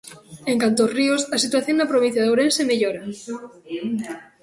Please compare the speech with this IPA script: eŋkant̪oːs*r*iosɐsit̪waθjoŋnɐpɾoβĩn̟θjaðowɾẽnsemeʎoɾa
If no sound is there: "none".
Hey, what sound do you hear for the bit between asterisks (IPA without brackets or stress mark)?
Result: r